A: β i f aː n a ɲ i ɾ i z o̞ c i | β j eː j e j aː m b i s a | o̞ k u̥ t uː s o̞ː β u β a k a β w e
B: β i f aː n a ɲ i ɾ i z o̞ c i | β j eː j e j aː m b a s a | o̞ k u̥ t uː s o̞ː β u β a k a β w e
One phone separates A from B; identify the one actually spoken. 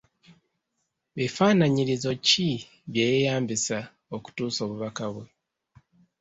A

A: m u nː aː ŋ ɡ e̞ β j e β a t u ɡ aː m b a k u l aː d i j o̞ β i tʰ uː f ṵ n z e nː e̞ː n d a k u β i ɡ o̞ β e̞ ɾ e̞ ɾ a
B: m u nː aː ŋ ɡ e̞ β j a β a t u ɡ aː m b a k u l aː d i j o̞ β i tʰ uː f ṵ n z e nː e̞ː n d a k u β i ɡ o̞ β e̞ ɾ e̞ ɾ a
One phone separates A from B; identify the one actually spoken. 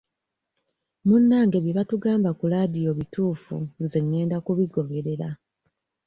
A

